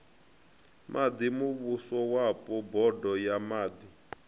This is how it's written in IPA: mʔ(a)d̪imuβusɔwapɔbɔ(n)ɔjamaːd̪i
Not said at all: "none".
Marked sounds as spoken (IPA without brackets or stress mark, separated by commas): a, d